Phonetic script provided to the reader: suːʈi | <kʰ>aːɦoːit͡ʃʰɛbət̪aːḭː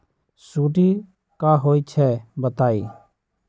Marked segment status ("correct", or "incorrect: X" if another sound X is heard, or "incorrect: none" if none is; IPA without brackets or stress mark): incorrect: k